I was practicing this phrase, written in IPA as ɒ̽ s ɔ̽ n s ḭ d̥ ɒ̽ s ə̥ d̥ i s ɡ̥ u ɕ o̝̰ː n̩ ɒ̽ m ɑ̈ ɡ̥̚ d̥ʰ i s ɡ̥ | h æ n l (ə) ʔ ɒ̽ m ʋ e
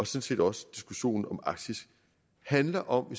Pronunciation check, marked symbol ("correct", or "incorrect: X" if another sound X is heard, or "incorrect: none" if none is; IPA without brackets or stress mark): incorrect: ɐ